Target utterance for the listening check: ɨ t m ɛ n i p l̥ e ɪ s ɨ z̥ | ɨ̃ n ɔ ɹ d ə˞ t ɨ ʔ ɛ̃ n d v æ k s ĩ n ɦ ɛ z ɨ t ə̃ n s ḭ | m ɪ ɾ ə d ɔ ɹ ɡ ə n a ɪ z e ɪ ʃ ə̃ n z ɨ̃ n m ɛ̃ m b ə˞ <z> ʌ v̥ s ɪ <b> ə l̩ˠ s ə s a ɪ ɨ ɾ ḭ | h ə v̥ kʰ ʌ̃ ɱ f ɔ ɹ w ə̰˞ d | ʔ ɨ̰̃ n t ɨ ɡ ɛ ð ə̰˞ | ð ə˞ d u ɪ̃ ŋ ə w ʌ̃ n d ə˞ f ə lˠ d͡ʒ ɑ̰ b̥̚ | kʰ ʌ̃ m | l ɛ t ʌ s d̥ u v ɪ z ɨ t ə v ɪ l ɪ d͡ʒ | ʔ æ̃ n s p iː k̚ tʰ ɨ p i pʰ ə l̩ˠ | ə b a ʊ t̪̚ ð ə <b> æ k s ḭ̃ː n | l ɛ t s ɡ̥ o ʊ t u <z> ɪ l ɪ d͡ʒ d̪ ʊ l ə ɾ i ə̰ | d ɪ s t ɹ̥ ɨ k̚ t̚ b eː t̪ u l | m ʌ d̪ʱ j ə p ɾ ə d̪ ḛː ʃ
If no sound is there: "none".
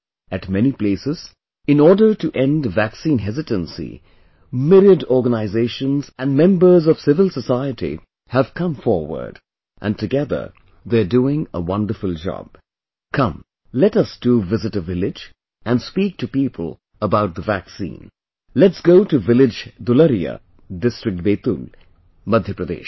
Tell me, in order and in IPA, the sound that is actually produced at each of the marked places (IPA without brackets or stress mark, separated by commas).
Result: z, v, v, v